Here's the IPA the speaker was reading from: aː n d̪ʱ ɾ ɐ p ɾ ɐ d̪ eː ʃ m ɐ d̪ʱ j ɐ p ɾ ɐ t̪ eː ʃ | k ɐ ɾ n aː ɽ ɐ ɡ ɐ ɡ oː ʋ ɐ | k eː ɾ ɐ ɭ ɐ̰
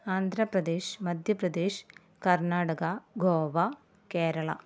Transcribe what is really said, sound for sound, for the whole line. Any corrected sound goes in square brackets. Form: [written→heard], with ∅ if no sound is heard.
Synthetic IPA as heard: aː n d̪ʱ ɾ ɐ p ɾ ɐ d̪ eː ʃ m ɐ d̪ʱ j ɐ p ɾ ɐ [t̪→d̪] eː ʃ | k ɐ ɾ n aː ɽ ɐ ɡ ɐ ɡ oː ʋ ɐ | k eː ɾ ɐ ɭ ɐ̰